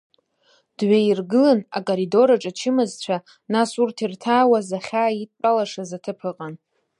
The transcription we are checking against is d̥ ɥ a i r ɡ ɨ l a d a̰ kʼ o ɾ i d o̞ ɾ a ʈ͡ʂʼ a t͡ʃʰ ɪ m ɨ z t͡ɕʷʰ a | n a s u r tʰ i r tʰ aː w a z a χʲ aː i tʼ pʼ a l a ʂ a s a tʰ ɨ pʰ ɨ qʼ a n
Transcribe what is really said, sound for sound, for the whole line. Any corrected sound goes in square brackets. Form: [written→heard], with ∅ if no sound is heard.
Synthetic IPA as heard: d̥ ɥ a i r ɡ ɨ l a [d→n] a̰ kʼ o ɾ i d o̞ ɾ a ʈ͡ʂʼ a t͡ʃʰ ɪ m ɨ z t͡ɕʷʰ a | n a s u r tʰ i r tʰ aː w a z a χʲ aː i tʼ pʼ a l a ʂ a [s→z] a tʰ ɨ pʰ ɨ qʼ a n